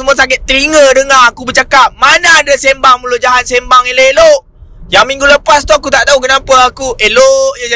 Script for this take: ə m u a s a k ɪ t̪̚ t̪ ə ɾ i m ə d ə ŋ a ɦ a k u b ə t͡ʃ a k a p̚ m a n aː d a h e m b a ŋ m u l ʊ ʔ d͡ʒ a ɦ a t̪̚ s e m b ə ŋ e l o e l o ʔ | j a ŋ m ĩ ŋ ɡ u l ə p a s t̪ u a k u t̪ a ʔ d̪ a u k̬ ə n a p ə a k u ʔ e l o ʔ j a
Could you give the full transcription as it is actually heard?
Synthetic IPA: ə m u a s a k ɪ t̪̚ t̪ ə ɾ i ŋ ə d ə ŋ a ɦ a k u b ə t͡ʃ a k a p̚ m a n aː d a s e m b a ŋ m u l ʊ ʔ d͡ʒ a ɦ a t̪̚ s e m b a ŋ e l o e l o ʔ | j a ŋ m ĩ ŋ ɡ u l ə p a s t̪ u a k u t̪ a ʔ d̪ a u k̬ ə n a p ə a k u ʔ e l o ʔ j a